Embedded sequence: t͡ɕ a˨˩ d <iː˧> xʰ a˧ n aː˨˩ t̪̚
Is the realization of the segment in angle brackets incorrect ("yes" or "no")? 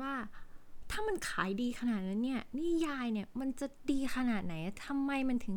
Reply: no